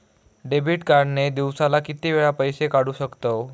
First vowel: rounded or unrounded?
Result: unrounded